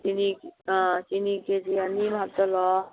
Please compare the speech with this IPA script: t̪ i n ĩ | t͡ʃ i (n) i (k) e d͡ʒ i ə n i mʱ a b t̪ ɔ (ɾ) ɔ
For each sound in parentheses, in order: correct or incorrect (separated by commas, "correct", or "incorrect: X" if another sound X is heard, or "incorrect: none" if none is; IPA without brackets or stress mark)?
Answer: correct, correct, incorrect: l